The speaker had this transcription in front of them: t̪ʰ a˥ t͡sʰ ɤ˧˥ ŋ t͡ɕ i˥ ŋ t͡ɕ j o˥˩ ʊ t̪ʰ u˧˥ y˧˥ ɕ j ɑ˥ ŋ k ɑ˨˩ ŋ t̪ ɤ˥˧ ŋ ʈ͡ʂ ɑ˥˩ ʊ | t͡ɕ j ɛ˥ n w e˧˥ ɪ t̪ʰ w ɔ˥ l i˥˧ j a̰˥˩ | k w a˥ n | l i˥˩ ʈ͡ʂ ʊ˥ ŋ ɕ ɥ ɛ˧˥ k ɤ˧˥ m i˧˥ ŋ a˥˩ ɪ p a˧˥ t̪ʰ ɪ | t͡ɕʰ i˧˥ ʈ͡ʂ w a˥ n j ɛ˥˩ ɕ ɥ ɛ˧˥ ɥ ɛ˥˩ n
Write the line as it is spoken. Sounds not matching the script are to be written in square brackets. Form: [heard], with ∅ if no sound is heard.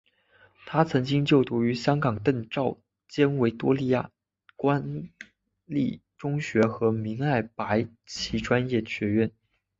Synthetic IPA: t̪ʰ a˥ t͡sʰ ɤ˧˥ ŋ t͡ɕ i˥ ŋ t͡ɕ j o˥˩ ʊ [t̪] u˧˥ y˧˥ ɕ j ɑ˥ ŋ k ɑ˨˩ ŋ t̪ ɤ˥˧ ŋ ʈ͡ʂ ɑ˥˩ ʊ | t͡ɕ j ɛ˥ n w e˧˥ ɪ [t̪] w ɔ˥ l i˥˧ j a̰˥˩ | k w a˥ n | l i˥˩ ʈ͡ʂ ʊ˥ ŋ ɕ ɥ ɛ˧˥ [x] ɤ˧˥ m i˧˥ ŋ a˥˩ ɪ p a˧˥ [∅] ɪ | t͡ɕʰ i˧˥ ʈ͡ʂ w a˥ n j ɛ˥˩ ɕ ɥ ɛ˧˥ ɥ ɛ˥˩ n